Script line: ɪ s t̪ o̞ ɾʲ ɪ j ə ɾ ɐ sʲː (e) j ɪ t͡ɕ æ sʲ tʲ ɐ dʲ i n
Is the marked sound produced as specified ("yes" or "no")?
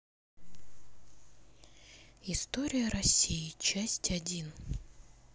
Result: no